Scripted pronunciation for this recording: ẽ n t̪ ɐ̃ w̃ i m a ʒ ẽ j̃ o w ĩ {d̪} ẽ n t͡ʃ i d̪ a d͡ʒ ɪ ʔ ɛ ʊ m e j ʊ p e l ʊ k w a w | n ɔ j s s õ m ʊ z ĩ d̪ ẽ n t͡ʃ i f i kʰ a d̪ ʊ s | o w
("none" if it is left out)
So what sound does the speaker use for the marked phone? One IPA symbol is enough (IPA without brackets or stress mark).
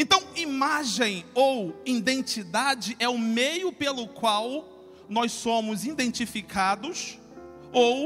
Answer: d̪